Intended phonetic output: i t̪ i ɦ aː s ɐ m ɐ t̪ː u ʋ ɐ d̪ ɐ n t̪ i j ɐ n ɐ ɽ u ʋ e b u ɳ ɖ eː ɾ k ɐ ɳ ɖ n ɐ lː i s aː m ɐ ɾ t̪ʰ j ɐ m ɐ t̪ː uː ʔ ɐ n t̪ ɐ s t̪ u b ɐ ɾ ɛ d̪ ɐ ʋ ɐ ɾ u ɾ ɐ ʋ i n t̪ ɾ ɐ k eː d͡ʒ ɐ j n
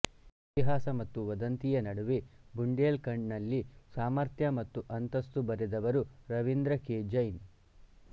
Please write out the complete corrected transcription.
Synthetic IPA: i t̪ i ɦ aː s ɐ m ɐ t̪ː u ʋ ɐ d̪ ɐ n t̪ i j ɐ n ɐ ɽ u ʋ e b u ɳ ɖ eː l k ɐ ɳ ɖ n ɐ lː i s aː m ɐ ɾ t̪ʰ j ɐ m ɐ t̪ː u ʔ ɐ n t̪ ɐ s t̪ u b ɐ ɾ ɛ d̪ ɐ ʋ ɐ ɾ u ɾ ɐ ʋ i n d̪ ɾ ɐ k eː d͡ʒ ɐ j n